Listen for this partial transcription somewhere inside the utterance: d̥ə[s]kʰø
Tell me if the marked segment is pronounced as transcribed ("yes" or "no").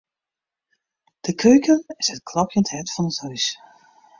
no